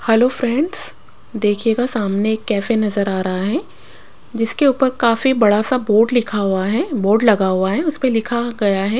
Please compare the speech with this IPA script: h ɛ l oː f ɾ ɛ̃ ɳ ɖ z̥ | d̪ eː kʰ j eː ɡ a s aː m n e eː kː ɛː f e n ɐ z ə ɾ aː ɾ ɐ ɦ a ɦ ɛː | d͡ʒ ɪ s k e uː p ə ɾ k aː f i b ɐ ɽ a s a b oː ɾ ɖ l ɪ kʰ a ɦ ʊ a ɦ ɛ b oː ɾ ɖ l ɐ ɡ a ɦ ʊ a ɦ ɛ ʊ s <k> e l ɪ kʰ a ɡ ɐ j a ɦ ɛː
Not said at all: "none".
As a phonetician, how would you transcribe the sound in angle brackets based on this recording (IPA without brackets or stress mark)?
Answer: p